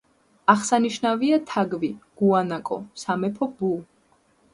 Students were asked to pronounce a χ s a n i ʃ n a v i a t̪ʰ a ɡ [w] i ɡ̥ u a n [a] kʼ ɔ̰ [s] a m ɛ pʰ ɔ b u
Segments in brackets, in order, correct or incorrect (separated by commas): incorrect, correct, correct